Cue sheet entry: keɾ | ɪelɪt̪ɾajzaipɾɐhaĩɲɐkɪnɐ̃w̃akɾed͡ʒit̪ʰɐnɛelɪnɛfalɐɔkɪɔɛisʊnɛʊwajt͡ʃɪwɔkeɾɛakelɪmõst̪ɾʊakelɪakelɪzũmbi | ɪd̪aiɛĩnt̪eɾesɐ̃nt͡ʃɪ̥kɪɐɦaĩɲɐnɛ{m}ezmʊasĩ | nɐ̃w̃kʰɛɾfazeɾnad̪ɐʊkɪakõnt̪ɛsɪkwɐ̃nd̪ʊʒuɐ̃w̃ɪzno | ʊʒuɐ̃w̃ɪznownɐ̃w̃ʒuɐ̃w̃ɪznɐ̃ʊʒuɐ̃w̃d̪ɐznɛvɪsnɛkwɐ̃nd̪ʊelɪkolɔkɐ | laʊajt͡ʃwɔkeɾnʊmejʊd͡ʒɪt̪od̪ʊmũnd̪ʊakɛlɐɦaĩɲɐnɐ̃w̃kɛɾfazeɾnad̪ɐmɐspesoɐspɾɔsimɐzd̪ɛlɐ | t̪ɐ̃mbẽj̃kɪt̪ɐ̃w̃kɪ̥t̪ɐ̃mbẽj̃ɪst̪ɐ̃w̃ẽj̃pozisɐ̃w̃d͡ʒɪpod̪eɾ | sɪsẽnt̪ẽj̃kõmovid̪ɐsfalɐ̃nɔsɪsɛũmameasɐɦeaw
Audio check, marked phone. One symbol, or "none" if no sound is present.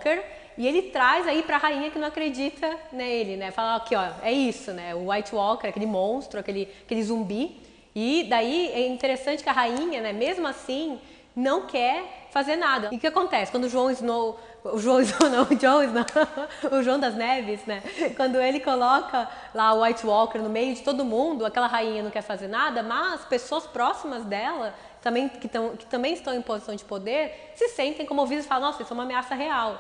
m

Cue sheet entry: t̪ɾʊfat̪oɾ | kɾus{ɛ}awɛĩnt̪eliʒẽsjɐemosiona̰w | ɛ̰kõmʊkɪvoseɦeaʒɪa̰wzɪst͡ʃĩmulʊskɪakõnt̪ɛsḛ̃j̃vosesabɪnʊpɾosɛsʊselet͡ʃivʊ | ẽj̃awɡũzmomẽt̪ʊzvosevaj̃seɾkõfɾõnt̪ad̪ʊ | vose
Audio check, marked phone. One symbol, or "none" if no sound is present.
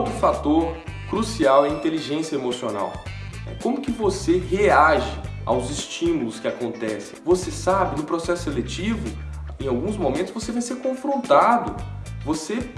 i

